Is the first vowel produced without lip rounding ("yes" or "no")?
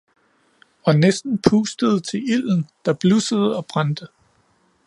no